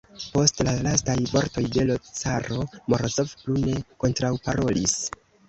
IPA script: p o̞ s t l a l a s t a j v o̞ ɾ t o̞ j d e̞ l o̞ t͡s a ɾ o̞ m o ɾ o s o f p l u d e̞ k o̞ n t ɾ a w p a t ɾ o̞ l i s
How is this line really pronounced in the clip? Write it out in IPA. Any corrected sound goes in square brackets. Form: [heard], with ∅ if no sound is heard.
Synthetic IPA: p o̞ s t l a l a s t a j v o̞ ɾ t o̞ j d e̞ l o̞ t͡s a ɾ o̞ m o ɾ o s o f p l u [n] e̞ k o̞ n t ɾ a w p a [∅] ɾ o̞ l i s